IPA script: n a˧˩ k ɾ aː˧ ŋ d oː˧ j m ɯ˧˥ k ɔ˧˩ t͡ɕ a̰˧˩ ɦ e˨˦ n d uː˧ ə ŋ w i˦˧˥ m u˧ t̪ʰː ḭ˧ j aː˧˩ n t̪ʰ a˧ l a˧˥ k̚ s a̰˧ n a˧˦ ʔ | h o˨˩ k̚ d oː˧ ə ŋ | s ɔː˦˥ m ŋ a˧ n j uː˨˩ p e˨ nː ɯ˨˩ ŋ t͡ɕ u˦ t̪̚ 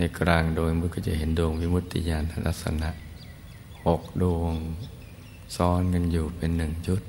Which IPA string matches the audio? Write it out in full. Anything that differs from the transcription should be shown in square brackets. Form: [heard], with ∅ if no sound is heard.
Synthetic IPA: n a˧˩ k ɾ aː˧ ŋ d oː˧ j m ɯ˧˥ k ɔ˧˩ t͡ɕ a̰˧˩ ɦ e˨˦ n d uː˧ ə ŋ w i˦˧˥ m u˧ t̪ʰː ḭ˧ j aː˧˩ n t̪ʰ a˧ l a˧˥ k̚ s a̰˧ n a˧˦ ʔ | h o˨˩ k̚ d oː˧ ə ŋ | s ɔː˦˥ [n] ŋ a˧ n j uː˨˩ p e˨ nː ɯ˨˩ ŋ t͡ɕ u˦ t̪̚